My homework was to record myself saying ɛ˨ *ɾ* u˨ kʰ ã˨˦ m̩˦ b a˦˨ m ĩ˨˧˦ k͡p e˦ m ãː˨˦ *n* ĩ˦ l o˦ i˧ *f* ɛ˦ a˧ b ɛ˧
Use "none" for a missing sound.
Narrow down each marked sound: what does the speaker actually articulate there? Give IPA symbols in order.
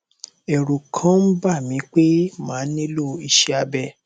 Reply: ɾ, n, ʃ

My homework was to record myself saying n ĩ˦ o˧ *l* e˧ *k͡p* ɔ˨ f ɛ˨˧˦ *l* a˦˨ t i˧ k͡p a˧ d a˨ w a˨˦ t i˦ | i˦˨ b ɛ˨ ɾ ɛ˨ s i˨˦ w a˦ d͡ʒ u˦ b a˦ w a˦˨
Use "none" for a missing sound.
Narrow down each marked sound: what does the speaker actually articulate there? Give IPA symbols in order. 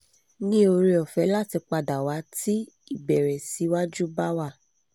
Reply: ɾ, none, l

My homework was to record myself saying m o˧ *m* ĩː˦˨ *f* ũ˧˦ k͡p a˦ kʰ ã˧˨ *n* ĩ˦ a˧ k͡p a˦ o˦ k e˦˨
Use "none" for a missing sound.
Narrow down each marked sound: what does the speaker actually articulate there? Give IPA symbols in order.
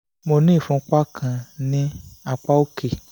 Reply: n, f, n

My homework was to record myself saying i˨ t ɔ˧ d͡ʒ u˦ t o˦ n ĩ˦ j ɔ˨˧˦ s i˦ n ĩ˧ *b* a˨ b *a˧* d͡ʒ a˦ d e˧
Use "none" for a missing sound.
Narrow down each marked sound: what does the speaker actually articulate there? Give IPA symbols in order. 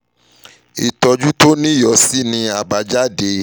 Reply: none, a˧

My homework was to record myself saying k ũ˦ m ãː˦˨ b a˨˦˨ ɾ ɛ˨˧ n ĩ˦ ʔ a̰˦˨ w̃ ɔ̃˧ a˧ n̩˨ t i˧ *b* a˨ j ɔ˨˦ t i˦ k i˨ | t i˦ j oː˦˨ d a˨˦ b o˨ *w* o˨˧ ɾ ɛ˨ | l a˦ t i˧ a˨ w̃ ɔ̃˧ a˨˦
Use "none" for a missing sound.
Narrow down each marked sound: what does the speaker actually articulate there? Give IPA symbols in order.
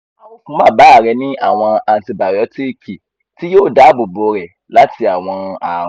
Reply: b, b

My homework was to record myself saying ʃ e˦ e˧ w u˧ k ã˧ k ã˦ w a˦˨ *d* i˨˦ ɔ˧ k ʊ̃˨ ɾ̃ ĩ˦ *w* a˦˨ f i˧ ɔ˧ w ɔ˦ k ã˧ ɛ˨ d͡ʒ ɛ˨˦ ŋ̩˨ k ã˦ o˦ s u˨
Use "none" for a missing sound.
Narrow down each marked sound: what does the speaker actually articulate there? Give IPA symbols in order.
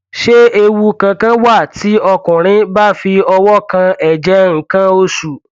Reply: t, b

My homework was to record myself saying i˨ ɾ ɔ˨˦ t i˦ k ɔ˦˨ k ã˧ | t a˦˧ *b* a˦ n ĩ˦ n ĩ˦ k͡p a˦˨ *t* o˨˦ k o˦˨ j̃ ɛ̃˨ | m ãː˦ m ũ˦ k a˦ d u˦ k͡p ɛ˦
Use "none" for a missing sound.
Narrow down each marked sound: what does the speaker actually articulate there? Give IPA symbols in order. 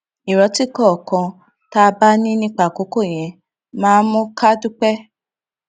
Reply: b, k

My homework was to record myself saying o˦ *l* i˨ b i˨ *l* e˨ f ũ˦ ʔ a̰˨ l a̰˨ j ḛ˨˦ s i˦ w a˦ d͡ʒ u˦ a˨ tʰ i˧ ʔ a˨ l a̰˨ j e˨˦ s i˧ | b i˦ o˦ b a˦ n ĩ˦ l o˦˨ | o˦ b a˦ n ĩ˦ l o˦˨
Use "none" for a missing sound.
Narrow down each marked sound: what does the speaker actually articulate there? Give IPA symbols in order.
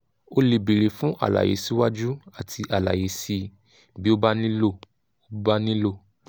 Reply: l, ɾ

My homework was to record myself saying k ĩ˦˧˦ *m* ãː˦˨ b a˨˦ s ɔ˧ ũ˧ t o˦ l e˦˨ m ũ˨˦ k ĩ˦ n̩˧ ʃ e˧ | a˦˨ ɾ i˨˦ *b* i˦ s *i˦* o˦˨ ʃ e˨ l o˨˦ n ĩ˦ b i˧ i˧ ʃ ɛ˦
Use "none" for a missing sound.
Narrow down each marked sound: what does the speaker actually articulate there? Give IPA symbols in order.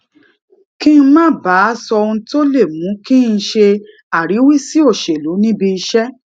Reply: m, w, i˦

